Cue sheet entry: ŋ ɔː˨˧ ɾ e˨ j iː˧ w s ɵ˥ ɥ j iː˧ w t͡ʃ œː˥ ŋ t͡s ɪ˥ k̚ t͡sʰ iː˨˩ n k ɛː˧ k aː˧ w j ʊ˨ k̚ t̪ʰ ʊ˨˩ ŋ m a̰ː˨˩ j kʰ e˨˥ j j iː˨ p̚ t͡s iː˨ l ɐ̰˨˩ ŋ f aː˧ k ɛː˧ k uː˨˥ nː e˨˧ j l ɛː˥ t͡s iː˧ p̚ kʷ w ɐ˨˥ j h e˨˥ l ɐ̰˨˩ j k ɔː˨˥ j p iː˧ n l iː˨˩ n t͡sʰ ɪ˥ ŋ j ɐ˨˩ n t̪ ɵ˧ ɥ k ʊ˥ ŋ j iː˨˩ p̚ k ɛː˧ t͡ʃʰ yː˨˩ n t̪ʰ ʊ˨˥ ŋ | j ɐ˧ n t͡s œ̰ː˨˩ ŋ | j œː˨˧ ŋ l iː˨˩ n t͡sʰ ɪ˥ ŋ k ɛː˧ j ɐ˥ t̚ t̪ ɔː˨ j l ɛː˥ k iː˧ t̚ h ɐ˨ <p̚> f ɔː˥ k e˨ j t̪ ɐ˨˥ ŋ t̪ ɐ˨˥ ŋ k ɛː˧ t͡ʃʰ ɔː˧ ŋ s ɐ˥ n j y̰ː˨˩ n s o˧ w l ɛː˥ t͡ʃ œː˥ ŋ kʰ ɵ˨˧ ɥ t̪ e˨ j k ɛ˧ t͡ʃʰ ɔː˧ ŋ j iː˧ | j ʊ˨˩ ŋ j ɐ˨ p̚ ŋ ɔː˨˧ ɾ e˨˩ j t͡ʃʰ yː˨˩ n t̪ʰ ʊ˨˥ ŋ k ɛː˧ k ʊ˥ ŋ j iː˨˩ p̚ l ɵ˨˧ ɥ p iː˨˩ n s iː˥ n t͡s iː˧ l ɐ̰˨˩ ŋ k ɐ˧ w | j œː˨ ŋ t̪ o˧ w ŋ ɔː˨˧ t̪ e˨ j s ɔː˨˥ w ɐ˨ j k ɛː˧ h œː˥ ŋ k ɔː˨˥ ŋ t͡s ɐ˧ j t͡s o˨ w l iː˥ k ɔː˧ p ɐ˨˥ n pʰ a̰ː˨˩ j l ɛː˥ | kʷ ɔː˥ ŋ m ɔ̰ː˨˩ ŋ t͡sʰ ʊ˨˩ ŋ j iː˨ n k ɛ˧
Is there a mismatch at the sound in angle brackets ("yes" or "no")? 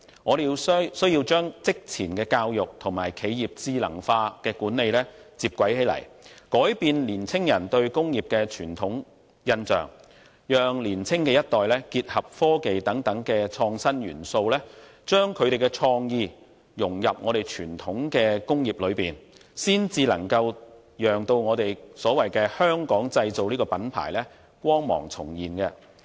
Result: no